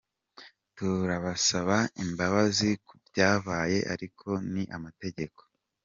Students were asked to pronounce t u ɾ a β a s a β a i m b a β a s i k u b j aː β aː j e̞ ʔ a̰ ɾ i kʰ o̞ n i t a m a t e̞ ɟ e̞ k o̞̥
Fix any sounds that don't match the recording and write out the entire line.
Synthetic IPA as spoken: t u ɾ a β a s a β a i m b a β a z i k u b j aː β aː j e̞ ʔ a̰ ɾ i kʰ o̞ n i ʔ a m a t e̞ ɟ e̞ k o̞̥